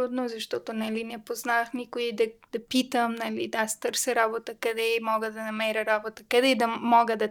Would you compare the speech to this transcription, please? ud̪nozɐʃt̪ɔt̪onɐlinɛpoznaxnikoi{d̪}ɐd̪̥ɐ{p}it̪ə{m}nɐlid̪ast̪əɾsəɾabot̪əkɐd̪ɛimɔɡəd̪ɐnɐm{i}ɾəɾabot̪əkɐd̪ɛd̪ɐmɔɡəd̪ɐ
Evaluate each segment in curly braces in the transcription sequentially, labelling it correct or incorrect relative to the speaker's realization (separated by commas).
correct, correct, correct, incorrect